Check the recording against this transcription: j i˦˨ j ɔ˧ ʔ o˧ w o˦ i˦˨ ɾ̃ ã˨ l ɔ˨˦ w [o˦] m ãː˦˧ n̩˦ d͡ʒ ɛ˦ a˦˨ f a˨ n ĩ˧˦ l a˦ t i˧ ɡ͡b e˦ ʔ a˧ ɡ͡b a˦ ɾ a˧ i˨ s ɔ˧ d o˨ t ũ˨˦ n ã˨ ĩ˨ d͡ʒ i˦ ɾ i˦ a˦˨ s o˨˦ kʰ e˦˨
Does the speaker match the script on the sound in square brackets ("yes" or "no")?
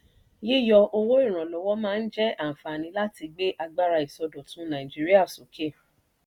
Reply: no